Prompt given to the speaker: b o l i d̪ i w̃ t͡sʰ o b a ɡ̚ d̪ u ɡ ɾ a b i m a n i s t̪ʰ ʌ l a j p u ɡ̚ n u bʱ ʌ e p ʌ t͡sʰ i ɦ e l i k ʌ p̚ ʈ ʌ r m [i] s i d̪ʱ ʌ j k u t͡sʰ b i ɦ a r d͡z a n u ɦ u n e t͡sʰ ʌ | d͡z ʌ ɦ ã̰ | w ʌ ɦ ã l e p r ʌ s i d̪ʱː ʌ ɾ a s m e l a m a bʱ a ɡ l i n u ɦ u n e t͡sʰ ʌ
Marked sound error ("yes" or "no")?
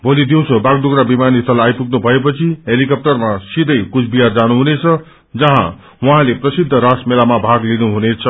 yes